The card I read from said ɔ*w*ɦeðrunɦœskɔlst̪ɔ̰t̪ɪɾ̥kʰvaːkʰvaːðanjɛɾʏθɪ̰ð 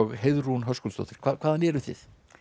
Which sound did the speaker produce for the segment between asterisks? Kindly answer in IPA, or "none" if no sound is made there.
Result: ɣ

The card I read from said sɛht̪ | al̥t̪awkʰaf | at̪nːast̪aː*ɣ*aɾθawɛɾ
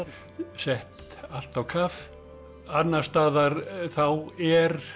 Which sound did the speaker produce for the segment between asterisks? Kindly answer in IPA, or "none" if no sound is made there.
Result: ð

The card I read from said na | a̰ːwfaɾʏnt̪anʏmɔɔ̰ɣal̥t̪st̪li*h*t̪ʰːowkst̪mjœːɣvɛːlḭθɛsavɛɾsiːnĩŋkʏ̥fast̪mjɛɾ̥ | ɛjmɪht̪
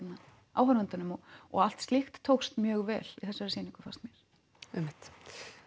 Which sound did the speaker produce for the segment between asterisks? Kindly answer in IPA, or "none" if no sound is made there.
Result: x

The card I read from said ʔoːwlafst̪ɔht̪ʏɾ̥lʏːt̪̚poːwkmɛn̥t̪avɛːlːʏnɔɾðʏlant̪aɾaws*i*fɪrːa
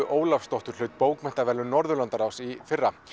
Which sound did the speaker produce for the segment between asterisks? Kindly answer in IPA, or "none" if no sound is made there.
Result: i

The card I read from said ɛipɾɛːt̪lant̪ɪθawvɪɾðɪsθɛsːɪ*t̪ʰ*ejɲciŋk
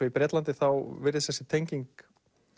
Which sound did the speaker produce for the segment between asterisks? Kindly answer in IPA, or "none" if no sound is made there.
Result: t̪ʰ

